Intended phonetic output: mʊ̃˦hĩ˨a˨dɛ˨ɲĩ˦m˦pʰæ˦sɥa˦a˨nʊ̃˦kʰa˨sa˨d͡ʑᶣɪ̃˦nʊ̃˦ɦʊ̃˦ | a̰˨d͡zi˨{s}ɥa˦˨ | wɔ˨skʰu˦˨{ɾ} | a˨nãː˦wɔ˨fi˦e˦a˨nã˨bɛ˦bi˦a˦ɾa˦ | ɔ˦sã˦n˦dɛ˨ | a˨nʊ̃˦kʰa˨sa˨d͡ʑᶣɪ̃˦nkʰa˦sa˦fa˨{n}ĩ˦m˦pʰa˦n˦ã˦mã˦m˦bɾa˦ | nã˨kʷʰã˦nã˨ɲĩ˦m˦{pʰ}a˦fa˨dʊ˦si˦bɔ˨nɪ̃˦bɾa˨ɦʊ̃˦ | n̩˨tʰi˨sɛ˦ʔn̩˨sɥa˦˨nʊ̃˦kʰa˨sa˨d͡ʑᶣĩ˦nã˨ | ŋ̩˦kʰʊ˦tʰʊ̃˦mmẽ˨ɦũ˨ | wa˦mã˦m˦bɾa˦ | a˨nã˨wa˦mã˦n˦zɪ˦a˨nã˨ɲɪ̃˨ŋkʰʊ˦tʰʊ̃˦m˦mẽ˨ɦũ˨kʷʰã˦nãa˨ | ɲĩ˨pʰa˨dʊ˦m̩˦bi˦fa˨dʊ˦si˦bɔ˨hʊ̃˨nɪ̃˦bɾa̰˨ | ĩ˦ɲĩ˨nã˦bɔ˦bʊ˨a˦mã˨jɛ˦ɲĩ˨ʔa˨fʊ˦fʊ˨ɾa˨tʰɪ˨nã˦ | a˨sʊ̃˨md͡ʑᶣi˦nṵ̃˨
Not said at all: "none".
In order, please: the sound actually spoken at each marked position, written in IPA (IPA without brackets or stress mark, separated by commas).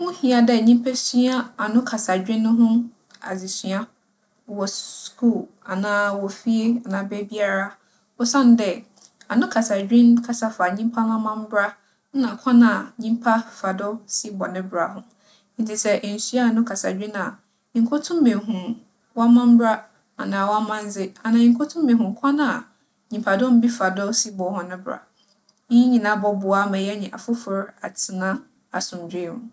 s, l, ɲ, pʰ